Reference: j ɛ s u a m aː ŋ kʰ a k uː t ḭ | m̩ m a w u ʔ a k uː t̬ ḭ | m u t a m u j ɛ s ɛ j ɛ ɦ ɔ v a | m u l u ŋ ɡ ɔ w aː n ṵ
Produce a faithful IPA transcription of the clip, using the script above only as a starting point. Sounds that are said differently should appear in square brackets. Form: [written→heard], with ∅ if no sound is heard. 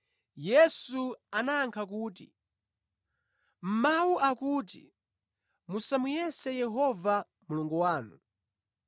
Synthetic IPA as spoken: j ɛ s u a [m→n] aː ŋ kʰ a k uː t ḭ | m̩ m a w u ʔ a k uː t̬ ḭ | m u [t→s] a m u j ɛ s ɛ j ɛ ɦ ɔ v a | m u l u ŋ ɡ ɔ w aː n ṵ